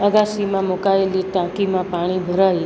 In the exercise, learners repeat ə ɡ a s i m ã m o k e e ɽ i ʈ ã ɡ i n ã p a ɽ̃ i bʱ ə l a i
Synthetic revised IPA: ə ɡ a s i m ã m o k a e l i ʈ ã k i m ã p a ɽ̃ i bʱ ə ɾ a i